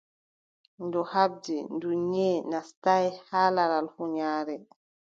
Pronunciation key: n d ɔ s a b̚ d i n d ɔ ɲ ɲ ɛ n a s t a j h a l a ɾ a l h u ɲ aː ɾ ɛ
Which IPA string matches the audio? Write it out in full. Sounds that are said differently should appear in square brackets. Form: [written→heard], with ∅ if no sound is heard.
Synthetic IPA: n d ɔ [s→h] a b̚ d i n d [ɔ→u] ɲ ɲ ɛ n a s t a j h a l a ɾ a l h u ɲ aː ɾ ɛ